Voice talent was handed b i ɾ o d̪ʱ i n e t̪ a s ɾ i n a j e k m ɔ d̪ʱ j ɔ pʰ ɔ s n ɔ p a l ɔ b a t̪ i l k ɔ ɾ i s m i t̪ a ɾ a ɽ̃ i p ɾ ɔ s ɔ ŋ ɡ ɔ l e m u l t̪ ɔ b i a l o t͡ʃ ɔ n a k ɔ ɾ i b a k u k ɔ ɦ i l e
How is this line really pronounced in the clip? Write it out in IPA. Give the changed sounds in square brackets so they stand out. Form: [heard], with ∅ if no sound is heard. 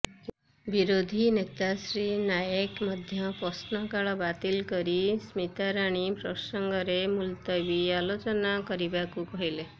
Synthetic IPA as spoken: b i ɾ o d̪ʱ i n e t̪ a s ɾ i n a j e k m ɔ d̪ʱ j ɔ [p] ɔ s n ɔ [k] a [ɭ] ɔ b a t̪ i l k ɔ ɾ i s m i t̪ a ɾ a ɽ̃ i p ɾ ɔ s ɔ ŋ ɡ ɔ [ɾ] e m u l t̪ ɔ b i a l o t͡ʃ ɔ n a k ɔ ɾ i b a k u k ɔ ɦ i l e